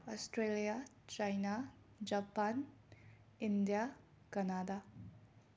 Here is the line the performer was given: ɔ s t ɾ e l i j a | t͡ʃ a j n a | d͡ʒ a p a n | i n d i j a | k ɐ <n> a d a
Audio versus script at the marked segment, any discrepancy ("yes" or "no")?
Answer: no